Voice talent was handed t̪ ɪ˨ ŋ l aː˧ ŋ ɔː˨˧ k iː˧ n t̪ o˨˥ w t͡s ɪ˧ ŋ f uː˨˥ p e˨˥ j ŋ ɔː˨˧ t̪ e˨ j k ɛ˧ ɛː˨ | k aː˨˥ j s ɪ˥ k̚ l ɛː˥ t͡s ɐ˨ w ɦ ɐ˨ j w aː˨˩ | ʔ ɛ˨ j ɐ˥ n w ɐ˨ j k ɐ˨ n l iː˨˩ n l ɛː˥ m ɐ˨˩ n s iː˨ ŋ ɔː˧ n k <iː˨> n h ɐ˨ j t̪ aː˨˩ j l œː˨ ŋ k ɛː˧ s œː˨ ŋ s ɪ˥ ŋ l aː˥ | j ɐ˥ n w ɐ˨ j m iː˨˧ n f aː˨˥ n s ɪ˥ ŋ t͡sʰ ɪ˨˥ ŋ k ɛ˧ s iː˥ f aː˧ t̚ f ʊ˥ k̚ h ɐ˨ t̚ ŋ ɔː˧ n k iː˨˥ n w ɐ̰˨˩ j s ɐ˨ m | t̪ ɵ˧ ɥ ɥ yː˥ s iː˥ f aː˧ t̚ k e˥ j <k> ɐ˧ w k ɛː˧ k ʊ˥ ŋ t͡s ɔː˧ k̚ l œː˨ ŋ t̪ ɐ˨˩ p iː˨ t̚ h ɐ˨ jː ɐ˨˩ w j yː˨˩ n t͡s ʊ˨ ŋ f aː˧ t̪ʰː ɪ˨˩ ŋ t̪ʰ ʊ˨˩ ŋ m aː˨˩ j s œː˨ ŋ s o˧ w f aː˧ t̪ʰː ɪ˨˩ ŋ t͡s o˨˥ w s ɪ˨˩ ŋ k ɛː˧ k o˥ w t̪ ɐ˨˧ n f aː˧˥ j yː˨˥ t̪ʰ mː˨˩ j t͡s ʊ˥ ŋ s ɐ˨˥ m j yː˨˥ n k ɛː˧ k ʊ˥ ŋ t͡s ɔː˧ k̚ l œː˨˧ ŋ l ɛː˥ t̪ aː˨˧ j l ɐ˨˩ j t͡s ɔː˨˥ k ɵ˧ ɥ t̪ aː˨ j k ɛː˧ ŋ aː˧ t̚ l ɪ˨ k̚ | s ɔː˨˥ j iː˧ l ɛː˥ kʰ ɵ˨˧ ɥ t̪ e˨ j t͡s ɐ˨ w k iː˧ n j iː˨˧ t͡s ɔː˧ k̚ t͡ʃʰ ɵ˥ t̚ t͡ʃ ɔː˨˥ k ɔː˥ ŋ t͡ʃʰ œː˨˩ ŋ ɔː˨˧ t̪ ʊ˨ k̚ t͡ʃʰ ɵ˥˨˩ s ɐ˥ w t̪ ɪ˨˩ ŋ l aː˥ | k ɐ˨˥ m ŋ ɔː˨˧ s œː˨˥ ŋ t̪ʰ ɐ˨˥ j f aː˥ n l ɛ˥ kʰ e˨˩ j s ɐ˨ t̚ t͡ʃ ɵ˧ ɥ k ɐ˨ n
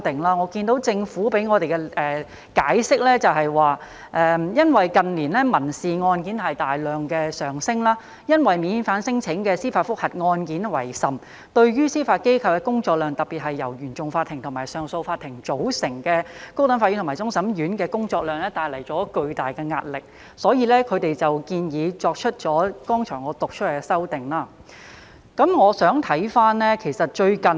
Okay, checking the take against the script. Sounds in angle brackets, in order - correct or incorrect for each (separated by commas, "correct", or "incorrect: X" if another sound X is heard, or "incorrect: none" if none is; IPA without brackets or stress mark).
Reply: incorrect: iː˨˥, incorrect: kʰ